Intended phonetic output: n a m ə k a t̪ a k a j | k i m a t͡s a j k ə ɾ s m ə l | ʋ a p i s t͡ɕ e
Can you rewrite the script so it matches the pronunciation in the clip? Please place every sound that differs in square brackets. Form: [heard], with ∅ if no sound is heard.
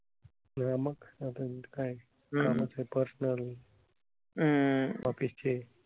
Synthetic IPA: n a m ə k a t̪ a k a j | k [a] m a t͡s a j [p] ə ɾ s [n] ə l | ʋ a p i s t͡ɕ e

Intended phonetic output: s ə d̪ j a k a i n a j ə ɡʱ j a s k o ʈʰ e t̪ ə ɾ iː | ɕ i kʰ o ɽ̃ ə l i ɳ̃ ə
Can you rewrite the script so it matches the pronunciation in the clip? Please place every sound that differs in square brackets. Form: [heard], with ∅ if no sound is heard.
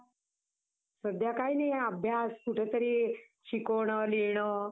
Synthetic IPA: s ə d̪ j a k a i n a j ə [bʱ] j a s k [u] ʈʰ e t̪ ə ɾ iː | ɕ i [k] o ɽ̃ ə l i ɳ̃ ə

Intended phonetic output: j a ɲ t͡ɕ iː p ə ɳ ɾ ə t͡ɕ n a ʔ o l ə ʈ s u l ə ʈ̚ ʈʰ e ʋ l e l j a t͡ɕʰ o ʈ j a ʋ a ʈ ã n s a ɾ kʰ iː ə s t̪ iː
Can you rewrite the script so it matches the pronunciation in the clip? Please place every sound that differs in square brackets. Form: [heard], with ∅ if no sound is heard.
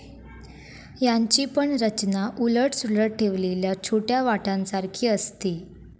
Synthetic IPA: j a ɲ t͡ɕ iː p ə ɳ ɾ ə t͡ɕ n a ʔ [u] l ə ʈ s u l ə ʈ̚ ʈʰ e ʋ l e l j a t͡ɕʰ o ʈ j a ʋ a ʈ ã n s a ɾ kʰ iː ə s t̪ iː

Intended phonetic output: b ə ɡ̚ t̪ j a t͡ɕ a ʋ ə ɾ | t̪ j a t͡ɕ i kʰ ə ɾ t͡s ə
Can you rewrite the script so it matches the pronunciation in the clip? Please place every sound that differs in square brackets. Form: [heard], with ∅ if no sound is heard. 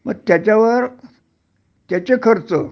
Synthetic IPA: [m] ə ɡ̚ t̪ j a t͡ɕ a ʋ ə ɾ | t̪ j a t͡ɕ [e] kʰ ə ɾ t͡s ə

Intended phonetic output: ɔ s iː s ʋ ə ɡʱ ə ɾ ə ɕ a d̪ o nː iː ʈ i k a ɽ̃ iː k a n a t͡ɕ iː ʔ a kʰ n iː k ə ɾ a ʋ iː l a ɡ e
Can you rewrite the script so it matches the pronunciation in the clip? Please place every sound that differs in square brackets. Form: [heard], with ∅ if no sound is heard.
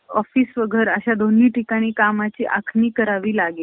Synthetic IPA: ɔ [f] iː s ʋ ə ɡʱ ə ɾ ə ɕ a d̪ o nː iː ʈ i k a ɽ̃ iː k a [m] a t͡ɕ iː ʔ a kʰ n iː k ə ɾ a ʋ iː l a ɡ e

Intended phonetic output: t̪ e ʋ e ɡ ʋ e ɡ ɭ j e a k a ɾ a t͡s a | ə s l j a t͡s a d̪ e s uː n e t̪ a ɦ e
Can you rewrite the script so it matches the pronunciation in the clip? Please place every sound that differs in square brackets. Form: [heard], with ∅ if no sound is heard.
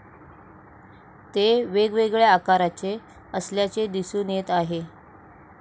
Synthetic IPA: t̪ e ʋ e ɡ ʋ e ɡ ɭ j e a k a ɾ a t͡s [e] | ə s l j a t͡s [e] d̪ [i] s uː n e t̪ a ɦ e

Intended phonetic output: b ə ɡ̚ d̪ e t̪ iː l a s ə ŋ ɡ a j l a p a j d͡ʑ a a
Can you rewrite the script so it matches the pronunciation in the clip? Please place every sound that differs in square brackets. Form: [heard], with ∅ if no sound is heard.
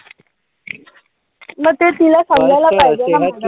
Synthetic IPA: [m] ə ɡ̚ [t̪] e t̪ [i] l a s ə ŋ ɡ a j l a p a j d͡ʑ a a

